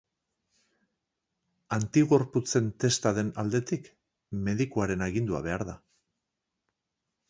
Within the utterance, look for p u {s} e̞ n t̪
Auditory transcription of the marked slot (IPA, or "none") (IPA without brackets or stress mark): t͡s